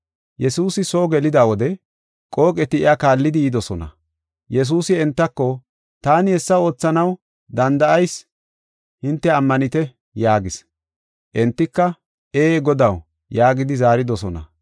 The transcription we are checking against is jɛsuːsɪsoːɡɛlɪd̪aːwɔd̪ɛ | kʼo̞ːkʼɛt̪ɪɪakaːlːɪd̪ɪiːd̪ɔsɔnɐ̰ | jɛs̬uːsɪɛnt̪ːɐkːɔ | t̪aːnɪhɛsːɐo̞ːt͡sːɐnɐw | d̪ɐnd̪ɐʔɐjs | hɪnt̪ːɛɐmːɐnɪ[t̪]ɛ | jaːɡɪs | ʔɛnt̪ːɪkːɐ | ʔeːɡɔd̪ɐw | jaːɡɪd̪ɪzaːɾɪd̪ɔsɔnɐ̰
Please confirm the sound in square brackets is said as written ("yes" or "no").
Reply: yes